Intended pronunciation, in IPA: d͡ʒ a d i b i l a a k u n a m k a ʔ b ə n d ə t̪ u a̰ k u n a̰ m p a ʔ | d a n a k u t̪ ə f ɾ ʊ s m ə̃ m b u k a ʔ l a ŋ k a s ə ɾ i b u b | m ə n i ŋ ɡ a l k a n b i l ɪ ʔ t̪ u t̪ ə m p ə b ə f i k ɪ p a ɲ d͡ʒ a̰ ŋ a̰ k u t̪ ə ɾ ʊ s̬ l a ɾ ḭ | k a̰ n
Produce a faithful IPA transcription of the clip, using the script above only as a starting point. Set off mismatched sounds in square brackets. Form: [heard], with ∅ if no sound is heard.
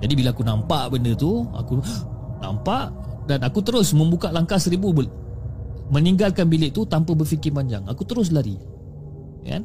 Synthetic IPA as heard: d͡ʒ a d i b i l a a k u n a m [p] a ʔ b ə n d ə t̪ u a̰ k u n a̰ m p a ʔ | d a n a k u t̪ ə [∅] ɾ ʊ s m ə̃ m b u k a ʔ l a ŋ k a s ə ɾ i b u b | m ə n i ŋ ɡ a l k a n b i l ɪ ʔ t̪ u t̪ [a] m p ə b ə f i k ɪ p a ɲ d͡ʒ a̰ ŋ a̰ k u t̪ ə ɾ ʊ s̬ l a ɾ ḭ | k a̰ n